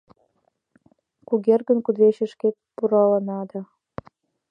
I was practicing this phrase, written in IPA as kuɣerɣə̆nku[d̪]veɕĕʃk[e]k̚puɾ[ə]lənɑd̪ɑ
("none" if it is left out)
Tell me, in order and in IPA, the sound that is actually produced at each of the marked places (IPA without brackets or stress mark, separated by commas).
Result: d̪, e, ɑ